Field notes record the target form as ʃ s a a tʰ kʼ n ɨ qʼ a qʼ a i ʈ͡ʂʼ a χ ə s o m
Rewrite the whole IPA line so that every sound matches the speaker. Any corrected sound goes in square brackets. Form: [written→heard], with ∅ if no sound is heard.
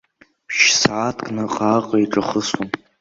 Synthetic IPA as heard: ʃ s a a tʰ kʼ n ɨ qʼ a qʼ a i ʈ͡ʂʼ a χ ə s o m

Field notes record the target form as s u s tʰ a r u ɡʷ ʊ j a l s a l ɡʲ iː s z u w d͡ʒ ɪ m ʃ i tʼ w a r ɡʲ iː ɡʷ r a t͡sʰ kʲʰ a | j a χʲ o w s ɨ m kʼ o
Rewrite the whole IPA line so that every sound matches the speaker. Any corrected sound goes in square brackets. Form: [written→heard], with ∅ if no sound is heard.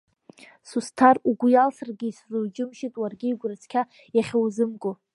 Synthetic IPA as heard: s u s tʰ a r u ɡʷ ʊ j a l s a [l→r] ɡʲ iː s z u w d͡ʒ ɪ m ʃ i tʼ w a r ɡʲ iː ɡʷ r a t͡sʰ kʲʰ a | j a χʲ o w [s→z] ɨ m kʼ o

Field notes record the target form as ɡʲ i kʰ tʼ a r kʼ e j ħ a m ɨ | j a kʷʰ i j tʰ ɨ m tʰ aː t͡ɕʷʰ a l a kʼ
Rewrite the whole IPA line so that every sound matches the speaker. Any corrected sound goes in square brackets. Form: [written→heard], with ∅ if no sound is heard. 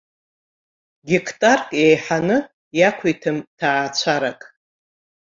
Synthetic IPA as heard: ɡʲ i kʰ tʼ a r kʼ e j ħ a [m→n] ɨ | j a kʷʰ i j tʰ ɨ m tʰ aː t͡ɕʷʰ a [l→ɾ] a kʼ

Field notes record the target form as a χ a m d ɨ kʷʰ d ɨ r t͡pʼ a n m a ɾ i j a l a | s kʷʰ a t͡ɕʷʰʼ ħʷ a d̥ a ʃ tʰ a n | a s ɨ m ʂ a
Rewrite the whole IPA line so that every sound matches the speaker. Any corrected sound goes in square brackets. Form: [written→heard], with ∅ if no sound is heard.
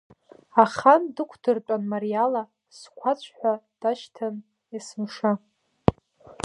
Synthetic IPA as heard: a χ a [m→n] d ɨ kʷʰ d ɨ r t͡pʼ a n m a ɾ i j a l a | s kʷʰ a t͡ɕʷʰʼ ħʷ a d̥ a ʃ tʰ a n | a s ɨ m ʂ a

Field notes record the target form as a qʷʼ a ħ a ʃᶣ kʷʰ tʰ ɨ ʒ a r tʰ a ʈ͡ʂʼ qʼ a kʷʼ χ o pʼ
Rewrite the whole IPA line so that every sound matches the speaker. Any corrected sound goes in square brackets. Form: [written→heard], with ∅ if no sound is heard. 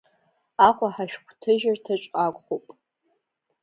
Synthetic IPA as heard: a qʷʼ a ħ a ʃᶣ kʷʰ tʰ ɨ ʒ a r tʰ a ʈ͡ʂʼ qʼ a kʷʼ χ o pʼ

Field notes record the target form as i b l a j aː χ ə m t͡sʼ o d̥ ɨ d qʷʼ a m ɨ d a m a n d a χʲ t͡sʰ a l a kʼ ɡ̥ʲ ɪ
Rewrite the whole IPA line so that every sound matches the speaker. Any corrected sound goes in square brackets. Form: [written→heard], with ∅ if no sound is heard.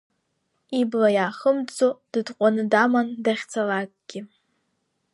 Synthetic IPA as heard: i b l a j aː χ ə m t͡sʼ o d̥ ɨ d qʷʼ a [m→n] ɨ d a m a n d a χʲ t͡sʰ a l a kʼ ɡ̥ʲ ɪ

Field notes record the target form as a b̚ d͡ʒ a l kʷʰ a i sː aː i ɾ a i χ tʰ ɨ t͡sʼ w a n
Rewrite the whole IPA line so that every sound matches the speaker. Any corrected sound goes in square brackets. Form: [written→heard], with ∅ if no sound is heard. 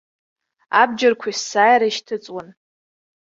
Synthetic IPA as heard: a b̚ d͡ʒ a [l→r] kʷʰ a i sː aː [i→j] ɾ a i [χ→ʃ] tʰ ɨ t͡sʼ w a n

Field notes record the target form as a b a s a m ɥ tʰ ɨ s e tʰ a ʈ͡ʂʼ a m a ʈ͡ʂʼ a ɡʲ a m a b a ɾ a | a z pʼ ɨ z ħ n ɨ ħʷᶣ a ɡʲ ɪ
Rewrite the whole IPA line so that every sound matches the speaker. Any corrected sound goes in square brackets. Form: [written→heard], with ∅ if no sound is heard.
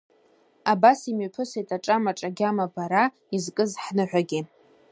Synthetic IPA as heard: a b a s [a→i] m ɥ [tʰ→pʰ] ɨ s e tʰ a ʈ͡ʂʼ a m a ʈ͡ʂʼ a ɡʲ a m a b a ɾ a | [a→i] z [pʼ→kʼ] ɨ z ħ n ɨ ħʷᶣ a ɡʲ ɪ

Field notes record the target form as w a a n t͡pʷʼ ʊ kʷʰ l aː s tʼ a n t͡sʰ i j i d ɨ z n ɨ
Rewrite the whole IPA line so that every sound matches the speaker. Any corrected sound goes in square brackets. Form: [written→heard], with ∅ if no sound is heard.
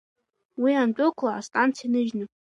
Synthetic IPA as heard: w [a→i] a n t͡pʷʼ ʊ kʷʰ l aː s tʼ a n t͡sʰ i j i [d→n] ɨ [z→ʒ] n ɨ

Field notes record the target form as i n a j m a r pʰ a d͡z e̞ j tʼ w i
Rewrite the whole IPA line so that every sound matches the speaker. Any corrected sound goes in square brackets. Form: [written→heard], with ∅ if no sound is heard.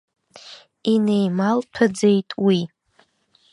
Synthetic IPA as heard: i n [a→e] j m a [r→l] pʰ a d͡z e̞ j tʼ w i

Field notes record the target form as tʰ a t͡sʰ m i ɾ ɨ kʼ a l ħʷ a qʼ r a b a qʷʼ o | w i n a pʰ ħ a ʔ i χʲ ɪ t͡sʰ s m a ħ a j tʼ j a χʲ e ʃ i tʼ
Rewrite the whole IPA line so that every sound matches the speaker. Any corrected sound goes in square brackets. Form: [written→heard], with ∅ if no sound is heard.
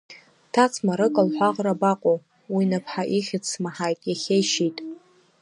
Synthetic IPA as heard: tʰ a t͡sʰ m [i→a] ɾ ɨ kʼ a l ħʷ a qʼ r a b a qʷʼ o | w i n a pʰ ħ a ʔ i χʲ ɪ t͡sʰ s m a ħ a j tʼ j a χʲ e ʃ i tʼ

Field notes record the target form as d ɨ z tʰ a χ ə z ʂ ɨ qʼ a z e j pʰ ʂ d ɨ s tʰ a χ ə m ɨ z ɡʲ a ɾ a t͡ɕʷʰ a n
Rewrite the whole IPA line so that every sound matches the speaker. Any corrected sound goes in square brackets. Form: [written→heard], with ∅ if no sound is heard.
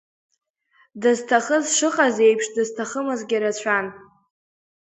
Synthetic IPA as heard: d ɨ z tʰ a χ ə z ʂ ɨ qʼ a z e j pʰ ʂ d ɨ [s→z] tʰ a χ ə m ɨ z ɡʲ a ɾ a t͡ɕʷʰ a n

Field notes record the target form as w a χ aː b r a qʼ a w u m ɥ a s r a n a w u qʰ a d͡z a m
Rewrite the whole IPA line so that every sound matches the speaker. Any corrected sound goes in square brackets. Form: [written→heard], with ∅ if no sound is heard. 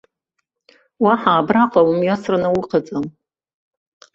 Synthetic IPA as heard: w a [χ→ħ] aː b r a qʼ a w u m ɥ a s r a n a w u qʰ a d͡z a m

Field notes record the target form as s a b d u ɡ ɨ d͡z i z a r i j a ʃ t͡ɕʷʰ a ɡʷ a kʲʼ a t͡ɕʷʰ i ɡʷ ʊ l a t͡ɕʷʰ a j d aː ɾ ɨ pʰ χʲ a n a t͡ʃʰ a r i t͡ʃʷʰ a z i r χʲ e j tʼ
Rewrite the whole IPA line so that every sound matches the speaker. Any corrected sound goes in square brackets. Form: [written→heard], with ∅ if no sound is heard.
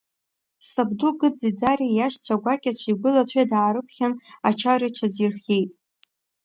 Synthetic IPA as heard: s a b d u ɡ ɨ d͡z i [z→d͡z] a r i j a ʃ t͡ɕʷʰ a ɡʷ a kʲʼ a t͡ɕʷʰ i ɡʷ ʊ l a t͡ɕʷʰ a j d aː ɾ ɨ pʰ χʲ a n a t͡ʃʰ a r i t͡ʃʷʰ a z i r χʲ e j tʼ

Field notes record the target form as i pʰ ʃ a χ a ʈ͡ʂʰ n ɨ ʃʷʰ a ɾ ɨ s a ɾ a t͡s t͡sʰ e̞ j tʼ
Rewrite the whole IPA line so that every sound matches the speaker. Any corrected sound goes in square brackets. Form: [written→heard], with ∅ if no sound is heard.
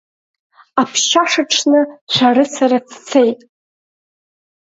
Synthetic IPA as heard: [i→a] pʰ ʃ a [χ→ʂ] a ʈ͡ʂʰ n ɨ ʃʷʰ a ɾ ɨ s a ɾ a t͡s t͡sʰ e̞ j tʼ

